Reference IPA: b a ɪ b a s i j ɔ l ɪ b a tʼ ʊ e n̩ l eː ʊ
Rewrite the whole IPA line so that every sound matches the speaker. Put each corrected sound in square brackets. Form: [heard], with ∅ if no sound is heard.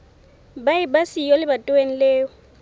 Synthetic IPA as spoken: b a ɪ b a s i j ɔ l ɪ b a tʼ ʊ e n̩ l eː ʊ